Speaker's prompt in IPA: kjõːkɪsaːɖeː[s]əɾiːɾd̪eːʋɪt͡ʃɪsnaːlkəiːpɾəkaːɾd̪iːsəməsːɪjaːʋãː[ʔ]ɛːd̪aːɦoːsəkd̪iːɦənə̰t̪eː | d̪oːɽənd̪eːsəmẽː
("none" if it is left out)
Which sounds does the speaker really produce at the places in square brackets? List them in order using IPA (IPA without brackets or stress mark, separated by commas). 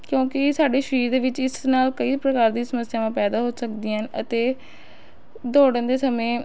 ʃ, p